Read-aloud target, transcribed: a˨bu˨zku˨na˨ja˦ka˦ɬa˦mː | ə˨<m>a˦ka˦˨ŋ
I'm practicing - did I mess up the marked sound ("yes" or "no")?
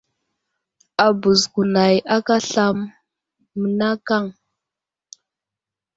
yes